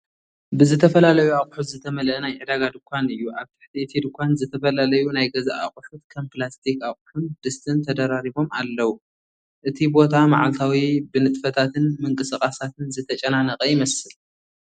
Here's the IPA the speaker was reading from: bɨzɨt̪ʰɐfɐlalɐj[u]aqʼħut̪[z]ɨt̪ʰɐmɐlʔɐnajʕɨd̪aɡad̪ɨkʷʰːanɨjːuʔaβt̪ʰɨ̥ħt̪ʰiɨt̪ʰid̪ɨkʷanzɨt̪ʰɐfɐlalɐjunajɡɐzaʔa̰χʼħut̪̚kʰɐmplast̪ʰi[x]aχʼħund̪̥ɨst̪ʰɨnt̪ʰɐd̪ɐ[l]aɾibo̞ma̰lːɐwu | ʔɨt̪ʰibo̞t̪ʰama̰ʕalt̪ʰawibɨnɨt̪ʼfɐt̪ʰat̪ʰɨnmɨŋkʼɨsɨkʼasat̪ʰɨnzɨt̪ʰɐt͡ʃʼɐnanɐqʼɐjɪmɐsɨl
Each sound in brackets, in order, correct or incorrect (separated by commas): correct, correct, incorrect, incorrect